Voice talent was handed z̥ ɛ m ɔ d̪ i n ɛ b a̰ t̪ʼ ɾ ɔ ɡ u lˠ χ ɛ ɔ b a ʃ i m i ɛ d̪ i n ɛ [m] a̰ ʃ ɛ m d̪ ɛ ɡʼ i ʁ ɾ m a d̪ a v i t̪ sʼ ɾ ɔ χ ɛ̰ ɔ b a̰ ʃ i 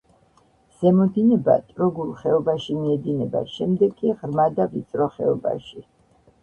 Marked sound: incorrect: b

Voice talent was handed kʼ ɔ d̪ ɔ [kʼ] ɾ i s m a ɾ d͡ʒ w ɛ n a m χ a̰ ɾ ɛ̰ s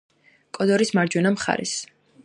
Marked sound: incorrect: none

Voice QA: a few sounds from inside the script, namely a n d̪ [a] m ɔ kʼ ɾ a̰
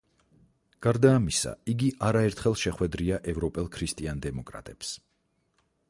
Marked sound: incorrect: ɛ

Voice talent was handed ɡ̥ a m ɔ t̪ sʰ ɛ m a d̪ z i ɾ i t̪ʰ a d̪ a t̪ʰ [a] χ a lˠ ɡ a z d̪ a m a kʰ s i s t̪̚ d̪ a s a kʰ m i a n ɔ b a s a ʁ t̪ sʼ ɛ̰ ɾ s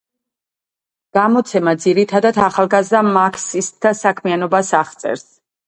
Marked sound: correct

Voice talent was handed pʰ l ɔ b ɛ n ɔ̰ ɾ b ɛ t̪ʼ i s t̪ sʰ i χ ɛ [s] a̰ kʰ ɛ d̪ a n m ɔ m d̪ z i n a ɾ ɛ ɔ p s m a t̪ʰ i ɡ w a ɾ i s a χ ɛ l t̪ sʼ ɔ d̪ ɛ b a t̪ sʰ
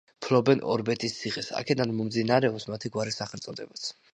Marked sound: correct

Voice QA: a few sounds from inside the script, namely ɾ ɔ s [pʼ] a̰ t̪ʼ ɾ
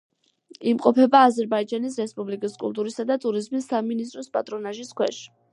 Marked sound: correct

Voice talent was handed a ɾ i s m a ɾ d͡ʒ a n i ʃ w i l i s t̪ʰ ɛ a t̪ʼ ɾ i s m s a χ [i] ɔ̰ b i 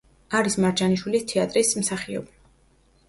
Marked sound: correct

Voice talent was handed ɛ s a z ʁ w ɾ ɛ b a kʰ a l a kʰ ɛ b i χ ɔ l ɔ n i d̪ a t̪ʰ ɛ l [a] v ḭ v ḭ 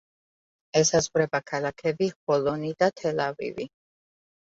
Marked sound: correct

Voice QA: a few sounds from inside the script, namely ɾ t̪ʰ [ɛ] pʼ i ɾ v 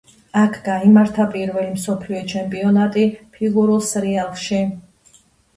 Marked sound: incorrect: a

